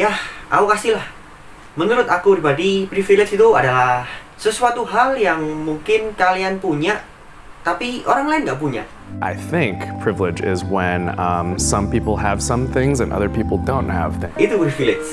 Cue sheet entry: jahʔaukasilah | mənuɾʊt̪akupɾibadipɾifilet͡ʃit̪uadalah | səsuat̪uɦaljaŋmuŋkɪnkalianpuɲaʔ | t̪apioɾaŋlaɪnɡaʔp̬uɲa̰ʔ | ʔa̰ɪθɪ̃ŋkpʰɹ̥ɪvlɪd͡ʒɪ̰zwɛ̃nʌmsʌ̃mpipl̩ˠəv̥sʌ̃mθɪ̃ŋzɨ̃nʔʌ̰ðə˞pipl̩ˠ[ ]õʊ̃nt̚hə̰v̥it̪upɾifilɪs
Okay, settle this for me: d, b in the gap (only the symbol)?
d